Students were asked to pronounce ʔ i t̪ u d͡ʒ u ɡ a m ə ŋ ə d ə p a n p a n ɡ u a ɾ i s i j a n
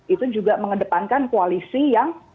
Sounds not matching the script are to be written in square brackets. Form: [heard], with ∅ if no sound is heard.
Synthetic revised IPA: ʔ i t̪ u d͡ʒ u ɡ a m ə ŋ ə d ə p a n [k] a n [k] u a [l] i s i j a [ŋ]

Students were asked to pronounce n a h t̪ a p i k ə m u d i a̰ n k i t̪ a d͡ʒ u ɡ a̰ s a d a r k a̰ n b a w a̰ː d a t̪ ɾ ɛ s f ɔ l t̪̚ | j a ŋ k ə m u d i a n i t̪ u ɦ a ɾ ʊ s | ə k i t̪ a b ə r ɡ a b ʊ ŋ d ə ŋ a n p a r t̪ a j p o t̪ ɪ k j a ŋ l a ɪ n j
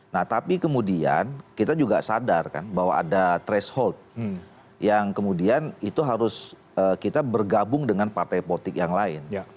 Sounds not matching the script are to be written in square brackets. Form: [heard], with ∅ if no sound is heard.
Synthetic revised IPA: n a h t̪ a p i k ə m u d i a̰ n k i t̪ a d͡ʒ u ɡ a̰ s a d a r k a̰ n b a w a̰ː d a t̪ ɾ ɛ s [h] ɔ l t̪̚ | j a ŋ k ə m u d i a n i t̪ u ɦ a ɾ ʊ s | ə k i t̪ a b ə r ɡ a b ʊ ŋ d ə ŋ a n p a r t̪ a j p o t̪ ɪ k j a ŋ l a ɪ n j

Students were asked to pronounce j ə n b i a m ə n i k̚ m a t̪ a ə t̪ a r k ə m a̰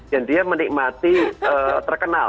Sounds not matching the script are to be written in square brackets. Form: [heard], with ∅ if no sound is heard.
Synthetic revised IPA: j [a] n [d] i a m ə n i k̚ m a t̪ [i] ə t̪ [ə] r k ə [n] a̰

